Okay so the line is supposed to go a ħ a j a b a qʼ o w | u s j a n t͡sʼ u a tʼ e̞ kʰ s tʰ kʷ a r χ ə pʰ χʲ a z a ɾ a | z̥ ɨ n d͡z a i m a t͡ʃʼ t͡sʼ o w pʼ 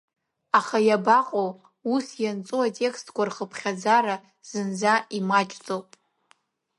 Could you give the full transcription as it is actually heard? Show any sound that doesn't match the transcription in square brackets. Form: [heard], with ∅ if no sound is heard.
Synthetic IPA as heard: a [χ] a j a b a qʼ o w | u s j a n t͡sʼ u a tʼ e̞ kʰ s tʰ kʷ a r χ ə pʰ χʲ a [d͡z] a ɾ a | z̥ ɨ n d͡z a i m a t͡ʃʼ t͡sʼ o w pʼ